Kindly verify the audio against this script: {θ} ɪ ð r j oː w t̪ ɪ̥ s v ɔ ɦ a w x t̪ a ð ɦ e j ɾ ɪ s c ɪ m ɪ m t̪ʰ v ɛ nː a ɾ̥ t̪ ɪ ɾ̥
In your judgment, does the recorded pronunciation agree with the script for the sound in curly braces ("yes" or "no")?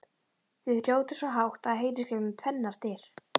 yes